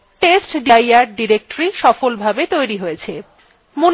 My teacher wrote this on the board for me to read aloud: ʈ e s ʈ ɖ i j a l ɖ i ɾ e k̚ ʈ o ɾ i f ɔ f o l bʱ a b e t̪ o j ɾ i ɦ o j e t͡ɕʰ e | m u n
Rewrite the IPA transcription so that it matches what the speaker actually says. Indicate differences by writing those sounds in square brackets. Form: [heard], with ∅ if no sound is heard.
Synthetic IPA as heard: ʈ e s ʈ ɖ i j a [ɾ] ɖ i ɾ e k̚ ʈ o ɾ i [ʃ] ɔ f o l bʱ a b e t̪ o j ɾ i ɦ o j e t͡ɕʰ e | m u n